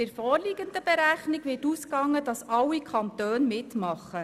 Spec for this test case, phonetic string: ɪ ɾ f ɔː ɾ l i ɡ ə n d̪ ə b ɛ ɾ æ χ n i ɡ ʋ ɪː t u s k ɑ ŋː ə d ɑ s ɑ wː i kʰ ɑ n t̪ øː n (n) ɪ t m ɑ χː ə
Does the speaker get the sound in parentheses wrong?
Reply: yes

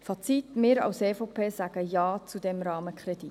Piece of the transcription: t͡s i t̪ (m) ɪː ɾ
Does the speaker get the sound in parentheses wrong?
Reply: no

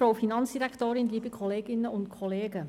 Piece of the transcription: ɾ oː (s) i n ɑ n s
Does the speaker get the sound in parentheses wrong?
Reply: yes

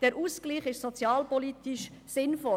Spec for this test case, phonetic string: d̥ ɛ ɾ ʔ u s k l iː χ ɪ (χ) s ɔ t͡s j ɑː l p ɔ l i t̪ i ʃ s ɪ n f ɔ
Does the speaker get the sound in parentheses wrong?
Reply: yes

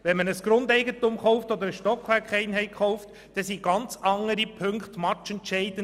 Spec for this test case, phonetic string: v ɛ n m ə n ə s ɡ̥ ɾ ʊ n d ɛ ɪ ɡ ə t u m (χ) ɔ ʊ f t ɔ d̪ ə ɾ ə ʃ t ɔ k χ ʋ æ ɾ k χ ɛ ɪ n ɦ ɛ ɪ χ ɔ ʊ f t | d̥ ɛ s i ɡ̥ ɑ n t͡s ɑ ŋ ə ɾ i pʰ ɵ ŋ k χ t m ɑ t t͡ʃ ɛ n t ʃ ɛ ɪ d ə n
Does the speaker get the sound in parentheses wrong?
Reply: no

